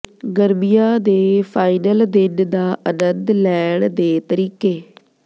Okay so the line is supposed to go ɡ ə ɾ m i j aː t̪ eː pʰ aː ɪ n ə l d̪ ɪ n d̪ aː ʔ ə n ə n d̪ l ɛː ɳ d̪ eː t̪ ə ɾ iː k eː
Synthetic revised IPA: ɡ ə ɾ m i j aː d̪ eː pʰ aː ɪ n ə l d̪ ɪ n d̪ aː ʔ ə n ə n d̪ l ɛː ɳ d̪ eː t̪ ə ɾ iː k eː